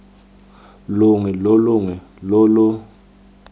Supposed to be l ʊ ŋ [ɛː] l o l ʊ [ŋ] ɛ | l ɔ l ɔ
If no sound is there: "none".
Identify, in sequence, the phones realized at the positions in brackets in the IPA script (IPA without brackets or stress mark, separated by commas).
ɛ, ŋ